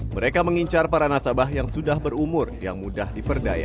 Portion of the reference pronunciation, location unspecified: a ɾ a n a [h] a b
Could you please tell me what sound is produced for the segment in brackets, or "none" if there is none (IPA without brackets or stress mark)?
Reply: s